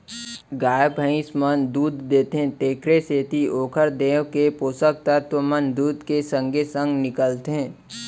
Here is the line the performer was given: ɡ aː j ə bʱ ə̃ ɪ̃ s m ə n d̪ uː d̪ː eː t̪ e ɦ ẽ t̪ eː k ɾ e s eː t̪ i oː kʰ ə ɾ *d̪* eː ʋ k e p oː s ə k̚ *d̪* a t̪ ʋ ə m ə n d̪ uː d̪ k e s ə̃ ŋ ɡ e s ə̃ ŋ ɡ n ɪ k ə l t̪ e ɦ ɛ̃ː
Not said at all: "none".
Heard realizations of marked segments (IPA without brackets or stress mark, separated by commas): d̪, t̪